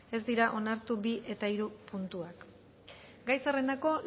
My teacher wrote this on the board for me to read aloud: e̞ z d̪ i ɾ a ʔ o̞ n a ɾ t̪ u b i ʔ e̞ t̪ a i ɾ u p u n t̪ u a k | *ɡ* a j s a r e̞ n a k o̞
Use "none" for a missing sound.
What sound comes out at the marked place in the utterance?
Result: ɡ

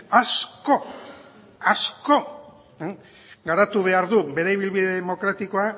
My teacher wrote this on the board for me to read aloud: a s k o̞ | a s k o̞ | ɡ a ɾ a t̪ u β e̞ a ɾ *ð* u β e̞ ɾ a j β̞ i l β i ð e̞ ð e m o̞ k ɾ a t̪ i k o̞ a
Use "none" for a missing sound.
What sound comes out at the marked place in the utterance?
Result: ð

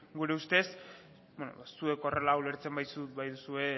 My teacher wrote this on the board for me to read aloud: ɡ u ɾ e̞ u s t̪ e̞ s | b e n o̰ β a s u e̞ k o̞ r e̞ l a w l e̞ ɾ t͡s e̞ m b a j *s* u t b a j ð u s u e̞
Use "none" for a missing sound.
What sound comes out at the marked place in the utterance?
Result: s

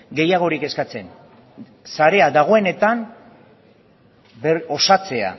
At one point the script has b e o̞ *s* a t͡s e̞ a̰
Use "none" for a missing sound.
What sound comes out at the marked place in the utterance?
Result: s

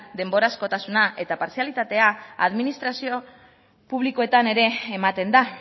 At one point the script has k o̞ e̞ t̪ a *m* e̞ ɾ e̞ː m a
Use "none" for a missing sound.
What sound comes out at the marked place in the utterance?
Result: n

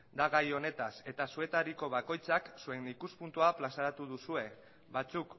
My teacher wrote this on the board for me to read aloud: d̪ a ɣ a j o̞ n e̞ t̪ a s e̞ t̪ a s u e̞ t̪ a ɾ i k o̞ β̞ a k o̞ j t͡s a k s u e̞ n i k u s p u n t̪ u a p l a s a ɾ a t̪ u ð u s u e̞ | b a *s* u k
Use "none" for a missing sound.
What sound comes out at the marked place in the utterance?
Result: t͡s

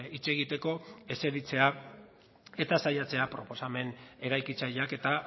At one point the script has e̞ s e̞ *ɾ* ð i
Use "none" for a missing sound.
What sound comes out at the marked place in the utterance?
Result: none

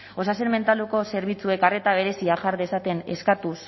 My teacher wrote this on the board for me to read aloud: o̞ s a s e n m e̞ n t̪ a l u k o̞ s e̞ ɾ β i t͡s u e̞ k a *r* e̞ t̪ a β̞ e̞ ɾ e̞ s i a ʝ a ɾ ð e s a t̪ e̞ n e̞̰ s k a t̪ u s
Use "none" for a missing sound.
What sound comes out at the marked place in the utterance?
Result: r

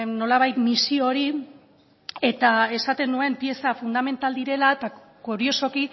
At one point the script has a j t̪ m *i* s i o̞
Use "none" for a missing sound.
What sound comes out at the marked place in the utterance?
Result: i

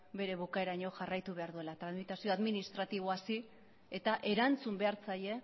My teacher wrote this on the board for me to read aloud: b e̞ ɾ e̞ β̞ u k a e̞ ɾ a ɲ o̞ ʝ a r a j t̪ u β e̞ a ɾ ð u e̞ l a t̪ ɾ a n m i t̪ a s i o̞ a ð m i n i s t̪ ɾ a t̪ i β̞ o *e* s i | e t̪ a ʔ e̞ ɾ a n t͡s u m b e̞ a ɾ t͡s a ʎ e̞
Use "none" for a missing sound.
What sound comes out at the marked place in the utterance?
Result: a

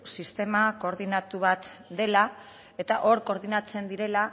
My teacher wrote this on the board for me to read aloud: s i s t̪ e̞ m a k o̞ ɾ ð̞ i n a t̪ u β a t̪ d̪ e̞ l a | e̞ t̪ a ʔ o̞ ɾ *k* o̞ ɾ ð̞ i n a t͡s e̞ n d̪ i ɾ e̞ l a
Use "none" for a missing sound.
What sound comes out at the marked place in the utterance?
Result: k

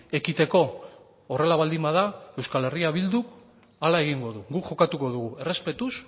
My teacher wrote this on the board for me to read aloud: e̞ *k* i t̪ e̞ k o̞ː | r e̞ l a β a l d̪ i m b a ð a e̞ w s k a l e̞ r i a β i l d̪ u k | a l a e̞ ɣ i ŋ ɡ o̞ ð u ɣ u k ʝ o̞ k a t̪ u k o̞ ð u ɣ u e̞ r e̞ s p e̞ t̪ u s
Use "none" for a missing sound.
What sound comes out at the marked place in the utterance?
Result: k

